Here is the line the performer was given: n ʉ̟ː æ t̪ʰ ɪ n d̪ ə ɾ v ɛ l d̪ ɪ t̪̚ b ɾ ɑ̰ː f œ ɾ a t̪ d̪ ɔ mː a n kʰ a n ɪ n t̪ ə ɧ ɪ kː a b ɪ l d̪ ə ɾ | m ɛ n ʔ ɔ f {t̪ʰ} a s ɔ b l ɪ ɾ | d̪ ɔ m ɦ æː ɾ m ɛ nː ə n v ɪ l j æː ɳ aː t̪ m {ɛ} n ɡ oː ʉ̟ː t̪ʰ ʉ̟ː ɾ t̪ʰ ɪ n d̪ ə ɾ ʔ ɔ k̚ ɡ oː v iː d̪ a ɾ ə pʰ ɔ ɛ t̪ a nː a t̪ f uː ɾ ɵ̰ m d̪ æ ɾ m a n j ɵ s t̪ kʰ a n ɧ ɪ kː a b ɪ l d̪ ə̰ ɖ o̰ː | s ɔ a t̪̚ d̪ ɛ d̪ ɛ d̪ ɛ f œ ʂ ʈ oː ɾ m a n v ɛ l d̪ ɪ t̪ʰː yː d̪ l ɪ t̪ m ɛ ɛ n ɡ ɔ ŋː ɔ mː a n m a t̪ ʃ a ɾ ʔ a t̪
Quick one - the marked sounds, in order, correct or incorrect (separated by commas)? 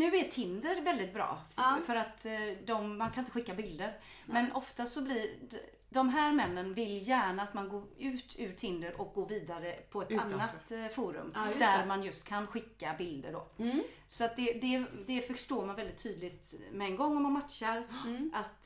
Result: incorrect, incorrect